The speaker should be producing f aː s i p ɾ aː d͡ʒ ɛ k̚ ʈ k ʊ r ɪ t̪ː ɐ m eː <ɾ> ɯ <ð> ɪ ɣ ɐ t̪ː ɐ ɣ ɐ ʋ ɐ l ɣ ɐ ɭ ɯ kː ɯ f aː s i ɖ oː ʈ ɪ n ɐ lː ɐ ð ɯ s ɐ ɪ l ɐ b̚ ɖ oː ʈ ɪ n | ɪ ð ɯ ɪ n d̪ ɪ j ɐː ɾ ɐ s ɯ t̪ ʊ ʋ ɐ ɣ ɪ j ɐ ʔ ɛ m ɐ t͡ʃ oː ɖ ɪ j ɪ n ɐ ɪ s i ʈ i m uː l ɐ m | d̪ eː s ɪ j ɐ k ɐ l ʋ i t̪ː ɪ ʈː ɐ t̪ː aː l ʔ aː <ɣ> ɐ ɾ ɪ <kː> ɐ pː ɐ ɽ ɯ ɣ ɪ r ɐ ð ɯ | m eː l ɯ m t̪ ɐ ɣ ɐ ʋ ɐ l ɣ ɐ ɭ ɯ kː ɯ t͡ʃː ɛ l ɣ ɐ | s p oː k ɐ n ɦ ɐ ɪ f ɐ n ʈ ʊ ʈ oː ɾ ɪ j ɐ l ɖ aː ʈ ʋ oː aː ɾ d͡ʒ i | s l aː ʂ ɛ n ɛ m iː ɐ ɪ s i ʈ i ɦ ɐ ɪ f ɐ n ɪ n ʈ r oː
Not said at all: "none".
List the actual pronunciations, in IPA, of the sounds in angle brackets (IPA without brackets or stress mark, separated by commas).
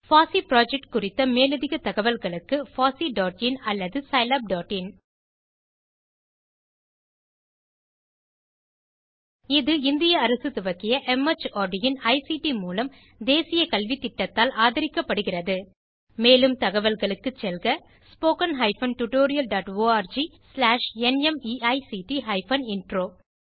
l, ð, ð, kː